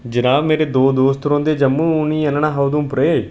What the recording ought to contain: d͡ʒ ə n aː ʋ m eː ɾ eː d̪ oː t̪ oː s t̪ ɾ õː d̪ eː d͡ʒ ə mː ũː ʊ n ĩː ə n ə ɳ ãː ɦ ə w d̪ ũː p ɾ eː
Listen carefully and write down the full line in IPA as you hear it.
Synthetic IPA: d͡ʒ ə n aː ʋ m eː ɾ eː d̪ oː d̪ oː s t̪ ɾ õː d̪ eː d͡ʒ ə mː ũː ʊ n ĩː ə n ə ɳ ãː ɦ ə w d̪ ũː p ɾ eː